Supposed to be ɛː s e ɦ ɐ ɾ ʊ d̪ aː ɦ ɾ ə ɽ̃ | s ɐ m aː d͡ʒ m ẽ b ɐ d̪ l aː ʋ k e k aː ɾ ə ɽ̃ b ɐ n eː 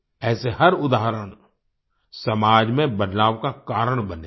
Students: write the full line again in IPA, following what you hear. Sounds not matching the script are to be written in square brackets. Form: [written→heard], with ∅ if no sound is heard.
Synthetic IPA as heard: ɛː s e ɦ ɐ ɾ ʊ d̪ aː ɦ ɾ ə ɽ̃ | s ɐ m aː d͡ʒ m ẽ b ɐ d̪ l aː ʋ k [e→a] k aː ɾ ə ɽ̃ b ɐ n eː